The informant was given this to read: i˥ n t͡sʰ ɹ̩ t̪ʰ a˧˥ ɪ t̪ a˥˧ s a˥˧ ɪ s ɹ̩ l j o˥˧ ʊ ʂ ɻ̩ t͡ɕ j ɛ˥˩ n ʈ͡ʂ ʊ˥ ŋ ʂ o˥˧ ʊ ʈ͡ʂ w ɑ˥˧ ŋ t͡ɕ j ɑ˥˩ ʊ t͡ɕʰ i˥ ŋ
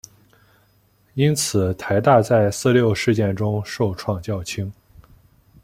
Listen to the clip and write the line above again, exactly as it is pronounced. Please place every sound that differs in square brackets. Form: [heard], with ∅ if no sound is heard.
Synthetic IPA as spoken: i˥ n t͡sʰ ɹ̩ t̪ʰ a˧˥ ɪ t̪ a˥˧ [t͡s] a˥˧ ɪ s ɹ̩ l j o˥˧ ʊ ʂ ɻ̩ t͡ɕ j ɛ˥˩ n ʈ͡ʂ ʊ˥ ŋ ʂ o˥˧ ʊ [ʈ͡ʂʰ] w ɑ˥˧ ŋ t͡ɕ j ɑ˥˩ ʊ t͡ɕʰ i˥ ŋ